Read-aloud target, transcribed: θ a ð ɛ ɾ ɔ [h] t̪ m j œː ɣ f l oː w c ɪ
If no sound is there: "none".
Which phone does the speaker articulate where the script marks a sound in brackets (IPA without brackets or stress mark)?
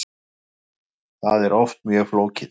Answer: f